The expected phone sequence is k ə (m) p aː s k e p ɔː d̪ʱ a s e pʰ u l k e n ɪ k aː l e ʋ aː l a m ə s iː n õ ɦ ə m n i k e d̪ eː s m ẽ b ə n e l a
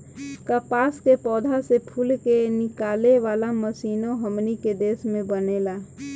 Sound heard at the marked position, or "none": none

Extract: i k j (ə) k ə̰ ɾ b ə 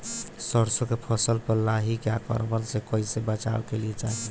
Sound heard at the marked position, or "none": a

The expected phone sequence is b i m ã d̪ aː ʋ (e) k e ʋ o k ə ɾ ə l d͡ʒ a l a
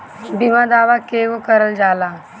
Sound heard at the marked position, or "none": a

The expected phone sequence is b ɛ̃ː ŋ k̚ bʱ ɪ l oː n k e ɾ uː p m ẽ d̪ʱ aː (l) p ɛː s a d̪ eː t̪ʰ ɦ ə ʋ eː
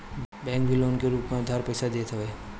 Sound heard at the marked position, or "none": ɾ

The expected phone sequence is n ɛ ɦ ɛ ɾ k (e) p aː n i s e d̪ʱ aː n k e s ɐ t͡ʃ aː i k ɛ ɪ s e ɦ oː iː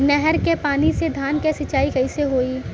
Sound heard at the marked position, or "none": e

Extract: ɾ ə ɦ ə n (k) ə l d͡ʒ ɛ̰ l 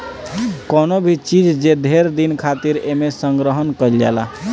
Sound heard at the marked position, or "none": k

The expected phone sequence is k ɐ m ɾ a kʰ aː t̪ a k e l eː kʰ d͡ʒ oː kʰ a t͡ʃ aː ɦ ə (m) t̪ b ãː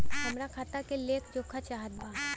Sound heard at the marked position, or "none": none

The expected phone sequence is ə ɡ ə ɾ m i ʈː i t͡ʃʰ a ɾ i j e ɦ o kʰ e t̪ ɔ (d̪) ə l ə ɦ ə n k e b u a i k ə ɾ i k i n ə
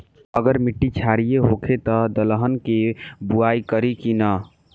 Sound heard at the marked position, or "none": d̪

